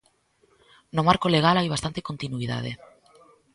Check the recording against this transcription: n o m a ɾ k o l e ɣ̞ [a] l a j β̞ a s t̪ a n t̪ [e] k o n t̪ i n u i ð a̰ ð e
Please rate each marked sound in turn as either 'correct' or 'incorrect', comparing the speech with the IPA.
correct, correct

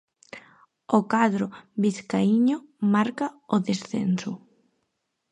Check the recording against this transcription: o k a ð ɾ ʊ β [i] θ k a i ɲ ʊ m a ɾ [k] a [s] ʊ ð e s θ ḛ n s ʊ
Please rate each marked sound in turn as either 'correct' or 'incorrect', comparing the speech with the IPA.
correct, correct, incorrect

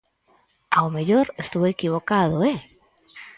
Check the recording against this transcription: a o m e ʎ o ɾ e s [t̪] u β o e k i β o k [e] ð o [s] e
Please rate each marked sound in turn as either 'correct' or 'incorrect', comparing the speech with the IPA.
correct, incorrect, incorrect

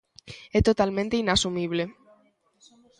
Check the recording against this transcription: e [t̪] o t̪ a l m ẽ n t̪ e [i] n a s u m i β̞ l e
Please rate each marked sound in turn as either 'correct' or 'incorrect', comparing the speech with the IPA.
correct, correct

